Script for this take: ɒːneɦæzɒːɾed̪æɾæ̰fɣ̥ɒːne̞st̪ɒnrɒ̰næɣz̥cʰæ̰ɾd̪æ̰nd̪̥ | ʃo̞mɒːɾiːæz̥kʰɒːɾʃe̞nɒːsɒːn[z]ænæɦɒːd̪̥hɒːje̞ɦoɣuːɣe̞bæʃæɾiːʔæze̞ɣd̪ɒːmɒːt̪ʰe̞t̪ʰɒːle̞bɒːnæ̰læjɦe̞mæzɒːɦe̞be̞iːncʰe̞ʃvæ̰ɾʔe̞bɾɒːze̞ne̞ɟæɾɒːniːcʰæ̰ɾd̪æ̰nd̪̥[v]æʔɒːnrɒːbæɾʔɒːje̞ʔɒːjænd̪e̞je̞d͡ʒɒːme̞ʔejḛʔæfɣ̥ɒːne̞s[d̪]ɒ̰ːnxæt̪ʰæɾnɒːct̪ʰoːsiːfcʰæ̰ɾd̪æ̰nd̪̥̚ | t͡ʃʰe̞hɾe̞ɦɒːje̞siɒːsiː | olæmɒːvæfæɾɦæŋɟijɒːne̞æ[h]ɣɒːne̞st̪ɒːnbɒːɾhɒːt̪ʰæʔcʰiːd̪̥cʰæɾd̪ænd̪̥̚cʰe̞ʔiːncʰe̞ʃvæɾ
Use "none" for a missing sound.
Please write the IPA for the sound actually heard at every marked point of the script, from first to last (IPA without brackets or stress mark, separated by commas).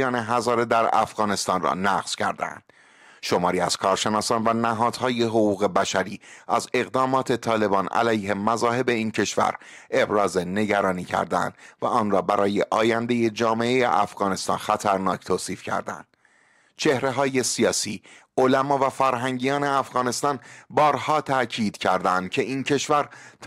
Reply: v, v, t̪, f